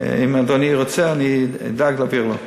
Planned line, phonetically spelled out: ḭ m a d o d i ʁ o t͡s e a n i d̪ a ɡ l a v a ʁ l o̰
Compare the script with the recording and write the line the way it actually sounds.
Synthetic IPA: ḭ m a d o n i ʁ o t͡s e a n i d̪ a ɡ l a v i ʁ l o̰